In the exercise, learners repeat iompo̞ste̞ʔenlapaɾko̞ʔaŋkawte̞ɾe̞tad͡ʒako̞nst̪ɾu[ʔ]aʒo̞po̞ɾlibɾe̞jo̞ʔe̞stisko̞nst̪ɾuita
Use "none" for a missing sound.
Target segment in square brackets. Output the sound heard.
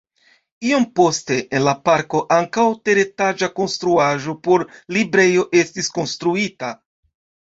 none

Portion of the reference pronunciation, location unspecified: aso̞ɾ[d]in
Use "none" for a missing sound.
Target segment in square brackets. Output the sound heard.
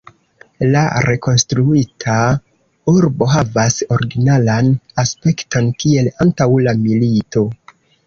ɡ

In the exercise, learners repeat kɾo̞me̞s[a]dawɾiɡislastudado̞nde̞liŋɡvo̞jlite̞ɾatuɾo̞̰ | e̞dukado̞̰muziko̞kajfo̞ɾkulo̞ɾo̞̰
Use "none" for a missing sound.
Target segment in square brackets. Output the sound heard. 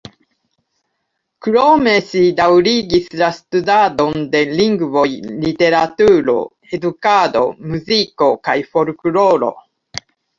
i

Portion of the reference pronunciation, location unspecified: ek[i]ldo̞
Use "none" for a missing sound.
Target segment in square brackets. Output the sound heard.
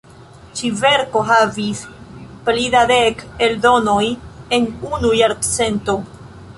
e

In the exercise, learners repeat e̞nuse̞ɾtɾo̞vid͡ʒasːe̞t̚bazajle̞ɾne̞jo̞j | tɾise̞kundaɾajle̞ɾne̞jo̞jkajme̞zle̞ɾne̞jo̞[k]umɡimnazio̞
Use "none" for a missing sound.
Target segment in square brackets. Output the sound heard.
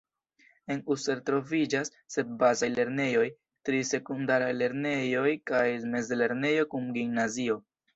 k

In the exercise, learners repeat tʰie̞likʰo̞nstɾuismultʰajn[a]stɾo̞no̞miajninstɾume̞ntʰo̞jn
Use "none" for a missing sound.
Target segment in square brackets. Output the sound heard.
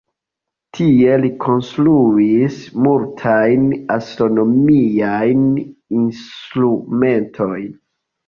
a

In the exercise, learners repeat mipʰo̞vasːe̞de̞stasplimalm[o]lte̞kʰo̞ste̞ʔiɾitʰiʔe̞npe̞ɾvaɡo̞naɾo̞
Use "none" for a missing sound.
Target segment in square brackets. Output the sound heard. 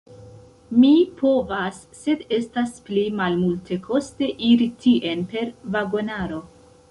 u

